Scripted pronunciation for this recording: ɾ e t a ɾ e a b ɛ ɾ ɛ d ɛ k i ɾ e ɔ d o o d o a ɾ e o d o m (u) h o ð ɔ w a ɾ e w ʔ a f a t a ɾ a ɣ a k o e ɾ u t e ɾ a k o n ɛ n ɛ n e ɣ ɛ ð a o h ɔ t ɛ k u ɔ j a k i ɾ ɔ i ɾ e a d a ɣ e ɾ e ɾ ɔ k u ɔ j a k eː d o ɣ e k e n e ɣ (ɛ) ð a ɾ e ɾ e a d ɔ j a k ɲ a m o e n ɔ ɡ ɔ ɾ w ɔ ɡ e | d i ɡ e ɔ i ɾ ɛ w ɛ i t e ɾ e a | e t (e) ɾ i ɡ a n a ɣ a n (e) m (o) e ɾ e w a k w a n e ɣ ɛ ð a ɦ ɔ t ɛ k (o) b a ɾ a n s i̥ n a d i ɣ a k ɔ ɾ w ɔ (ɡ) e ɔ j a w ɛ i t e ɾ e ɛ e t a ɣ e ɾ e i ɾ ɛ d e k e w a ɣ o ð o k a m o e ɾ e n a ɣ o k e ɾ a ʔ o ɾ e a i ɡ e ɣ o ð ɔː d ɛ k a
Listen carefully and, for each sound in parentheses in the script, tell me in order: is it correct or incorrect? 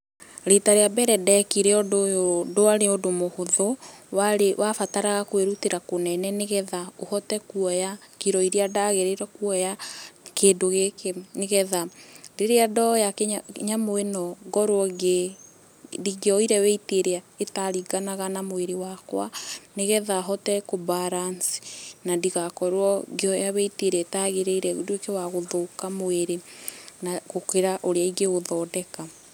incorrect, correct, incorrect, incorrect, correct, correct, correct

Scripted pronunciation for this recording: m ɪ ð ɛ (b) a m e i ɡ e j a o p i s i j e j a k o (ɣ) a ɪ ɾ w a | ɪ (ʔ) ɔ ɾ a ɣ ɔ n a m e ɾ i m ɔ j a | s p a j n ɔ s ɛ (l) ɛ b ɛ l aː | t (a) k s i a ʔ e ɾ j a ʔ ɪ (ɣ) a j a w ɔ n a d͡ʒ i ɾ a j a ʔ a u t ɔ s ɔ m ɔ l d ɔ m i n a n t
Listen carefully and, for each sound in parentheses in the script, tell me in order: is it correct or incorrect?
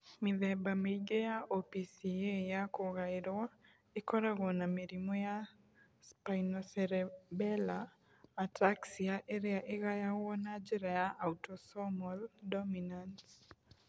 correct, correct, incorrect, incorrect, correct, correct

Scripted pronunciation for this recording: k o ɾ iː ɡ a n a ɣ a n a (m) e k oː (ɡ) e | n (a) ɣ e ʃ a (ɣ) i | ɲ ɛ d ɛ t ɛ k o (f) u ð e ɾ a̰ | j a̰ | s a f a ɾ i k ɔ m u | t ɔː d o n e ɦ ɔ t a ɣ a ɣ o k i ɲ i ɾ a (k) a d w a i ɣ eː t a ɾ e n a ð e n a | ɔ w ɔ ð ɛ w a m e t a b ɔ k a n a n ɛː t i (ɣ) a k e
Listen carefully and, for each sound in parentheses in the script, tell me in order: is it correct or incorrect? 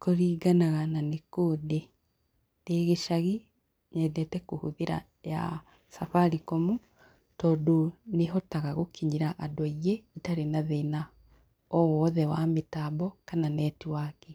incorrect, incorrect, incorrect, correct, incorrect, incorrect, incorrect

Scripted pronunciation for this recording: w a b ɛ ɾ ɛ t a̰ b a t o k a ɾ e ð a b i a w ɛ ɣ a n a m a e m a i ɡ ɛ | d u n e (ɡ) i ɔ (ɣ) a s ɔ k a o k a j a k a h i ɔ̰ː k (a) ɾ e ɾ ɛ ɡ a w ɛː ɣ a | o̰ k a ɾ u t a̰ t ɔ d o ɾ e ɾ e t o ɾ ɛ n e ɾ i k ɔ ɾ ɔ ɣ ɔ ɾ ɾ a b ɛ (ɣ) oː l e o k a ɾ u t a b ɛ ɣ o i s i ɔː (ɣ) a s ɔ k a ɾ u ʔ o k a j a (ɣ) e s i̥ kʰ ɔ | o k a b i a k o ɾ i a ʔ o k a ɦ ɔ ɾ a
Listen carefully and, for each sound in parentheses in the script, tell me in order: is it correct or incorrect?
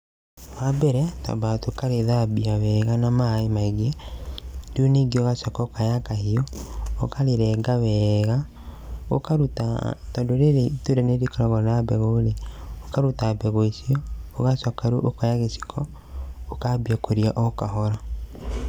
correct, correct, correct, correct, correct, correct

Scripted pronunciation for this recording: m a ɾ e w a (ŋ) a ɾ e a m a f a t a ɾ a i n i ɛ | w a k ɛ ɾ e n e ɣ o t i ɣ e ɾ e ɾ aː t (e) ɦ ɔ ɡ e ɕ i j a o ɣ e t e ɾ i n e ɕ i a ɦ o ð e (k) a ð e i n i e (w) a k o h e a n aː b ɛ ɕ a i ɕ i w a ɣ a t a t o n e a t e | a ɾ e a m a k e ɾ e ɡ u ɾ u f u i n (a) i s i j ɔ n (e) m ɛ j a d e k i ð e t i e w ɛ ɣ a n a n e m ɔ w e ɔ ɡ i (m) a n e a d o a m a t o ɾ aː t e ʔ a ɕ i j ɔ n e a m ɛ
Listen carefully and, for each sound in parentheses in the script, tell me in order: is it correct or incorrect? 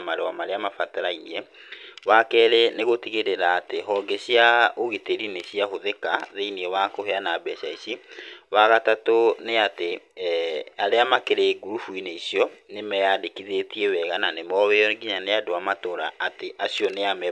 incorrect, correct, correct, correct, incorrect, correct, incorrect

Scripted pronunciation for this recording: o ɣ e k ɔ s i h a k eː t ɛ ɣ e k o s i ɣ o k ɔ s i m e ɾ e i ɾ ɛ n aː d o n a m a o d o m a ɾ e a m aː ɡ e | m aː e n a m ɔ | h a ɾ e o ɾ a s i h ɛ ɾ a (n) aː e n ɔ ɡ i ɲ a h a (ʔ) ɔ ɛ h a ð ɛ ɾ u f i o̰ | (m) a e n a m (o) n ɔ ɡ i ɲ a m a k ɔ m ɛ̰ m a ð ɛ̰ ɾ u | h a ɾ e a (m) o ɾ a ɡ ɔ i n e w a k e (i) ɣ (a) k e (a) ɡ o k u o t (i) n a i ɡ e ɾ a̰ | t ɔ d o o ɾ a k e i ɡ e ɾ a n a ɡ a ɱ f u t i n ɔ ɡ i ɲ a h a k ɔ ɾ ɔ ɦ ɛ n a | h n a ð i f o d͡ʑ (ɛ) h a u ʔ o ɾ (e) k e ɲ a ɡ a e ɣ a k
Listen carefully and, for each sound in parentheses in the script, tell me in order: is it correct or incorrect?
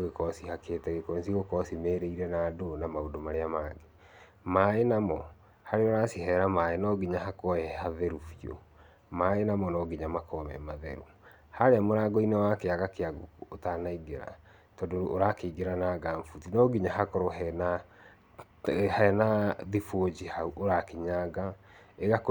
incorrect, incorrect, correct, incorrect, correct, incorrect, correct, correct, incorrect, incorrect, incorrect

